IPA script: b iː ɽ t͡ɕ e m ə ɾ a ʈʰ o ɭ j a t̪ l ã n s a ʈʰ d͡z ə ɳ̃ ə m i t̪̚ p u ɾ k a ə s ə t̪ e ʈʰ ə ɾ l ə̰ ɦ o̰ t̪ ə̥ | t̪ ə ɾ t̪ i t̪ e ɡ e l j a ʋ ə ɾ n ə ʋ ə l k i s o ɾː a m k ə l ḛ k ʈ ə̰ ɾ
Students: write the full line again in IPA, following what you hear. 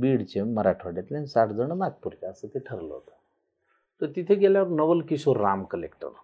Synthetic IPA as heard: b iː ɽ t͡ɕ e m ə ɾ a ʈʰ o ɽ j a t̪ l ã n s a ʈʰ d͡z ə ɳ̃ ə m a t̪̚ p u ɾ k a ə s ə t̪ e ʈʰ ə ɾ l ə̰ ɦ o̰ t̪ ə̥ | t̪ ə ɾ t̪ i t̪ʰ e ɡ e l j a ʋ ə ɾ n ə ʋ ə l k i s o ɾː a m k ə l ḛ k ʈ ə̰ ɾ